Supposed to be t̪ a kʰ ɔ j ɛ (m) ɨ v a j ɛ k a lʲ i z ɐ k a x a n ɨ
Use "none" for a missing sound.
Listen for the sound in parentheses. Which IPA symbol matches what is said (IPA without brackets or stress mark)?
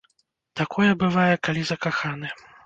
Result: b